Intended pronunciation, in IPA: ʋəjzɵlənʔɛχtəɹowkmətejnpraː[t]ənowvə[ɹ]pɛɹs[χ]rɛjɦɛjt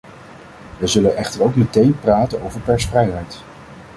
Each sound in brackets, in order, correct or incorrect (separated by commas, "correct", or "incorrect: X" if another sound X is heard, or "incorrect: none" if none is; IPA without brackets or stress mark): correct, correct, incorrect: f